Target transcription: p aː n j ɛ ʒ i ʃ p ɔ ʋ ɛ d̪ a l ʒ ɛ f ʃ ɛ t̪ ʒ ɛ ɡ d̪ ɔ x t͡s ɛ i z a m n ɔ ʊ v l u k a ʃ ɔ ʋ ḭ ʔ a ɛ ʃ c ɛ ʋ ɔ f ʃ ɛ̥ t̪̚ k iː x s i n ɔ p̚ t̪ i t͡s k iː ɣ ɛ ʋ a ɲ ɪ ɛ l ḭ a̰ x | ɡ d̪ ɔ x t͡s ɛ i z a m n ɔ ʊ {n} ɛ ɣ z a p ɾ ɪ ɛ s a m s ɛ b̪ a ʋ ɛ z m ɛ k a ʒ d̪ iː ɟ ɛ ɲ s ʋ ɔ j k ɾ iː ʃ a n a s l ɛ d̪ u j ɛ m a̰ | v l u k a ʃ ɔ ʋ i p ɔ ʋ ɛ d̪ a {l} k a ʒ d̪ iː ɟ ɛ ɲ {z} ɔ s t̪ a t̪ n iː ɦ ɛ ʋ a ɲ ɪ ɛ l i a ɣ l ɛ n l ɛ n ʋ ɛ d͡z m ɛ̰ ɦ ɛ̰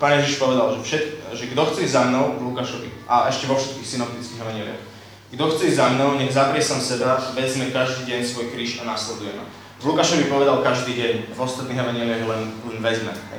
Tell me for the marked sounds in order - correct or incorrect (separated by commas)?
incorrect, correct, incorrect